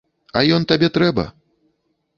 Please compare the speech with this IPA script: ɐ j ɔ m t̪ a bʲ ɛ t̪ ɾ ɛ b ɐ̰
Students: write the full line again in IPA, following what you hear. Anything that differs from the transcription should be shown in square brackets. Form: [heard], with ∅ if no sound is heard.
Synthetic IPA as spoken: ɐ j ɔ [n] t̪ a bʲ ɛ t̪ ɾ ɛ b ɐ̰